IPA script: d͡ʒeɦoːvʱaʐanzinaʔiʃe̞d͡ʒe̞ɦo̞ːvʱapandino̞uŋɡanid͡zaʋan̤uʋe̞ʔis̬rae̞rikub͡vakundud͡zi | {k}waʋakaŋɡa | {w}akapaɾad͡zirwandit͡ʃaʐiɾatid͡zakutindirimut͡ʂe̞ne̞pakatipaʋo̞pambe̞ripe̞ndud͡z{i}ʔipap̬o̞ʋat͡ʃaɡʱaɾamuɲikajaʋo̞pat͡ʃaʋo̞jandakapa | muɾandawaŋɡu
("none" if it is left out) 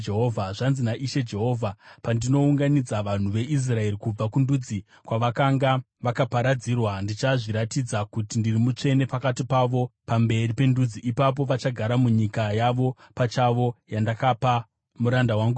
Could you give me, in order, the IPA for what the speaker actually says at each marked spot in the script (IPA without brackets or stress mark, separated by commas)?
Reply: k, ʋ, i